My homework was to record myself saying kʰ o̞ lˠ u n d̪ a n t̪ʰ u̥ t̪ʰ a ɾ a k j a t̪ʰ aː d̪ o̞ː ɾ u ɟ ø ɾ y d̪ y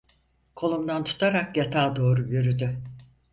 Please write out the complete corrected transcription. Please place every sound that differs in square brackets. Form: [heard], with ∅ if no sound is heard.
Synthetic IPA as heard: kʰ o̞ lˠ u [m] d̪ a n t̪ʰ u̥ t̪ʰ a ɾ a k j a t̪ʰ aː d̪ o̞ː ɾ u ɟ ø ɾ y d̪ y